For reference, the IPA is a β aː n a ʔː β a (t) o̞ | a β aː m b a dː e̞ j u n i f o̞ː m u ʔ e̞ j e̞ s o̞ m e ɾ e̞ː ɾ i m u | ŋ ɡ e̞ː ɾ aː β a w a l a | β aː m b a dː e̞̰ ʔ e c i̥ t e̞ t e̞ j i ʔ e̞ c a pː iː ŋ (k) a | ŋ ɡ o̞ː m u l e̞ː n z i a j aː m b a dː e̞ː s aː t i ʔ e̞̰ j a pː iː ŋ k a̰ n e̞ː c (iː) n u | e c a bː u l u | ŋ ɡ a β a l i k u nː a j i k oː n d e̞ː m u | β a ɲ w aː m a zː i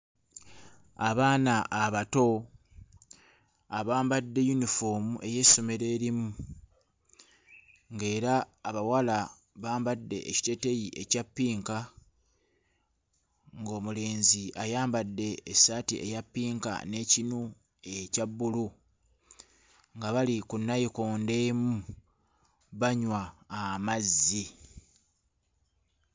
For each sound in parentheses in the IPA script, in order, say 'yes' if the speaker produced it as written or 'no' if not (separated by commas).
yes, yes, no